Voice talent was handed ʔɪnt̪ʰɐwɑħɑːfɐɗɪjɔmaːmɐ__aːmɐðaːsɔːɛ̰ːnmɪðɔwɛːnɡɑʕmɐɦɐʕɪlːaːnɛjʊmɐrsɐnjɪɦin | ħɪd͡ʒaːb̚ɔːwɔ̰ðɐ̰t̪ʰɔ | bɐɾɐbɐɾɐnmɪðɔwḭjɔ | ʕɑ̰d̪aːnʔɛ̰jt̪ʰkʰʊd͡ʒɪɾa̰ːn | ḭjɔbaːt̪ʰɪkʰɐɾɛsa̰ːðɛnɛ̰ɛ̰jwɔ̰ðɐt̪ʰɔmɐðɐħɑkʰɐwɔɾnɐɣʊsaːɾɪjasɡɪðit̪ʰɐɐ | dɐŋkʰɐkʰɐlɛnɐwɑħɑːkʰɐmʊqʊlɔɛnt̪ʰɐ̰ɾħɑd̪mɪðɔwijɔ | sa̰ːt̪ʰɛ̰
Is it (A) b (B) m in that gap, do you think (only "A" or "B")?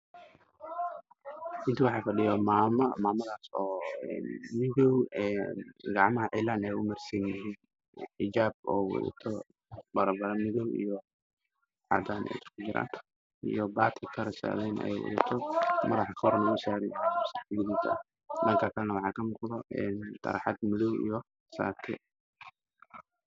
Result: B